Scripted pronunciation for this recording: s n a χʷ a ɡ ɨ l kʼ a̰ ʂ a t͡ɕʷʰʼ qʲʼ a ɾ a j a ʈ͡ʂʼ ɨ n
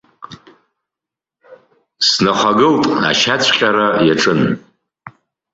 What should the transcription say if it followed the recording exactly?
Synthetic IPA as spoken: s n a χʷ a ɡ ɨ l tʼ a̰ ʃ a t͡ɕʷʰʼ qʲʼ a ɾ a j a ʈ͡ʂʼ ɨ n